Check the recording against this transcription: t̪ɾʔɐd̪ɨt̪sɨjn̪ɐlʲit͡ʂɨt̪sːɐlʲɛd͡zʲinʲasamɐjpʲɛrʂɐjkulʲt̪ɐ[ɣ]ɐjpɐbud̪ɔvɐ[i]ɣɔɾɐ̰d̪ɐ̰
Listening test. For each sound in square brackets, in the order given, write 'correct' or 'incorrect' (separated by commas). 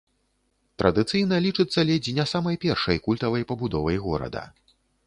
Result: incorrect, incorrect